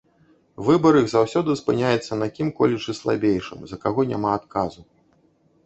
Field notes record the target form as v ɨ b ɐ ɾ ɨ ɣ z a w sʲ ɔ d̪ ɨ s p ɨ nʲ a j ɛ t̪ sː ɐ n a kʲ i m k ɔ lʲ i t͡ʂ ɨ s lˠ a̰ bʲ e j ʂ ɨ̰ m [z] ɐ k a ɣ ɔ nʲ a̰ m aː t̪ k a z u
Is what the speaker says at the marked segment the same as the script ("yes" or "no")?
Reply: yes